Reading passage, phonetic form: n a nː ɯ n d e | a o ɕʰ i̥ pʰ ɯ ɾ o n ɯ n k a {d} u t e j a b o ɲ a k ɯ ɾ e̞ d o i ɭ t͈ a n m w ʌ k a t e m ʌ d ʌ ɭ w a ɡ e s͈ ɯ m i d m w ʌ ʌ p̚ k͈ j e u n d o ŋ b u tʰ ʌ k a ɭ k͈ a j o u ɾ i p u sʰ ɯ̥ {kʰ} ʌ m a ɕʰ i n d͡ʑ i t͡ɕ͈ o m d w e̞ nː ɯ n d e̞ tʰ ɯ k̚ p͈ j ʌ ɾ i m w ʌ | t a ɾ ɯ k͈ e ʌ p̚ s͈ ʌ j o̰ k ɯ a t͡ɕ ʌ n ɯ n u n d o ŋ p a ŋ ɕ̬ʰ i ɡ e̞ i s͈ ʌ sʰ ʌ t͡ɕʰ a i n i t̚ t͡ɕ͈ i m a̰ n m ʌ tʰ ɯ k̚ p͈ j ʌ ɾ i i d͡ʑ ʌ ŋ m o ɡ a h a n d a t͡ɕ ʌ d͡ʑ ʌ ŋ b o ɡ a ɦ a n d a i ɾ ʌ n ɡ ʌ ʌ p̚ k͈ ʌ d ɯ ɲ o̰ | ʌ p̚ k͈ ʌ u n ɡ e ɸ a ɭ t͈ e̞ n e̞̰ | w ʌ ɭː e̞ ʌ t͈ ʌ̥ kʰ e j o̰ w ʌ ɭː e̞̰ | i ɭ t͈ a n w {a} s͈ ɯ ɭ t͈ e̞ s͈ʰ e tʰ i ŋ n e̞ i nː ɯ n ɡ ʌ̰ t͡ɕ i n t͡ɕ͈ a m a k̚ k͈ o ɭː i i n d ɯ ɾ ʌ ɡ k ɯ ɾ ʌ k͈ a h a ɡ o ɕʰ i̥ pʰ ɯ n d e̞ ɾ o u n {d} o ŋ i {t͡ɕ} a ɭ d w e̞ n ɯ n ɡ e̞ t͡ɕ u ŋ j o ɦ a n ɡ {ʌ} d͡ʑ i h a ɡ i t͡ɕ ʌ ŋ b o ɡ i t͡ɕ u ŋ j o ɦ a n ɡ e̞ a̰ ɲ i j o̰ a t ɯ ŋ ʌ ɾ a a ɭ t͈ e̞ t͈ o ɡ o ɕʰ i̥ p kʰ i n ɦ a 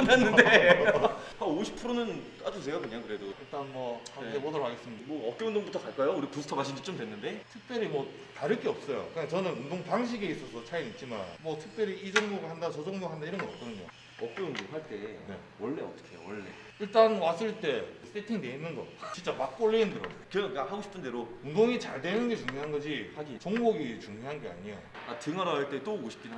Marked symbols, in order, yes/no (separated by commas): no, no, yes, yes, yes, yes